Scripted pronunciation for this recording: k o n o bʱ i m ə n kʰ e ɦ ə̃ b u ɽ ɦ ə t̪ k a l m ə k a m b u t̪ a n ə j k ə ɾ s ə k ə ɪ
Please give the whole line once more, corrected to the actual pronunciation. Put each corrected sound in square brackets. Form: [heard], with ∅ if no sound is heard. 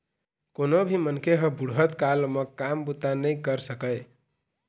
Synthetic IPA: k o n o bʱ i m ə n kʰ e ɦ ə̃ b u ɽ ɦ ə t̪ k a l m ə k a m b u t̪ a n ə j k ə ɾ s ə k ə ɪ